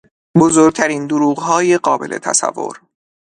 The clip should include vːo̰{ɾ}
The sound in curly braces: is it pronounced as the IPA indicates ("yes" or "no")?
yes